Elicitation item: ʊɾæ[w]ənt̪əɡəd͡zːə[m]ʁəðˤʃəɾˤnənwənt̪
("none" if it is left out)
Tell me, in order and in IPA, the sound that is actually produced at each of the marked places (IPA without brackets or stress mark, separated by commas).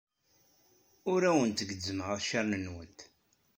w, m